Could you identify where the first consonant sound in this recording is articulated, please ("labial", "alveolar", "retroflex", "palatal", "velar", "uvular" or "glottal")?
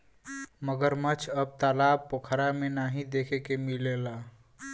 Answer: labial